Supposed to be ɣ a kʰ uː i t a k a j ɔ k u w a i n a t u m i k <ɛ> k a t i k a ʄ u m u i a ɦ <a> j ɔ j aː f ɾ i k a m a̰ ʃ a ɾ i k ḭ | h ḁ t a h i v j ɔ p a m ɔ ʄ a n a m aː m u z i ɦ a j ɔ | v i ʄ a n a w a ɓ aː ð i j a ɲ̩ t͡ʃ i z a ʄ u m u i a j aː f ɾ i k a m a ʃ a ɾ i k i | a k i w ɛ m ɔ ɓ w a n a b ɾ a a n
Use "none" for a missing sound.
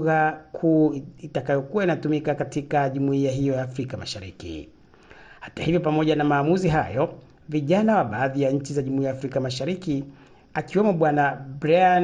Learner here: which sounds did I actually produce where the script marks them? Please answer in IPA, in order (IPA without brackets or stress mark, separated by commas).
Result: a, i